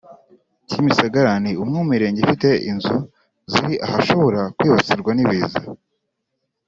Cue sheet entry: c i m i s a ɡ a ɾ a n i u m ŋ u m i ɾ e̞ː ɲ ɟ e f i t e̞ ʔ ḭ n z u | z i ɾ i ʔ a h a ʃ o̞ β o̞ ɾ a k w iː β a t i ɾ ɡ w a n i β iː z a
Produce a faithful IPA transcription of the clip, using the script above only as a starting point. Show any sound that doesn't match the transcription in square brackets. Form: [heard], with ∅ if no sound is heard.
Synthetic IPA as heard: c i m i s a ɡ a ɾ a n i u m ŋ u m i ɾ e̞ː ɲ ɟ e f i t e̞ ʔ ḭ n z u | z i ɾ i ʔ a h a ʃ o̞ β o̞ ɾ a k w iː β a [t͡s] i ɾ ɡ w a n i β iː z a